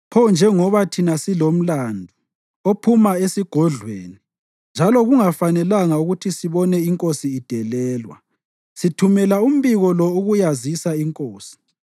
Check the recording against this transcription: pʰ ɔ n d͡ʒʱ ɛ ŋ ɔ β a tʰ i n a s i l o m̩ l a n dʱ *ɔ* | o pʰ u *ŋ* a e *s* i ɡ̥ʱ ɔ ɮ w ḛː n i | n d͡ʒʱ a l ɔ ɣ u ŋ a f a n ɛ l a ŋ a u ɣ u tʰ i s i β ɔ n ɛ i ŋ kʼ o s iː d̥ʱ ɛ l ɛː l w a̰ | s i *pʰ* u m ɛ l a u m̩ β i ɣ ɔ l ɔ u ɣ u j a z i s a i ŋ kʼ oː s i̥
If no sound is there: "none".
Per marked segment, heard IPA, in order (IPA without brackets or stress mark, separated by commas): u, m, s, tʰ